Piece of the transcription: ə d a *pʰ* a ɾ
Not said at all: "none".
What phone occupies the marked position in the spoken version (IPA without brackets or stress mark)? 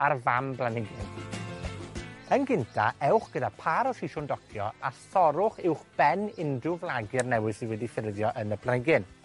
pʰ